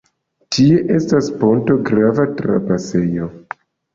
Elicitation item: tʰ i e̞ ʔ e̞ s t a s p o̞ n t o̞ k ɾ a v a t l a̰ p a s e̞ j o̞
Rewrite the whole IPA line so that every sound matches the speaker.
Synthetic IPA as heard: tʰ i e̞ ʔ e̞ s t a s p o̞ n t o̞ ɡ ɾ a v a t ɾ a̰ p a s e̞ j o̞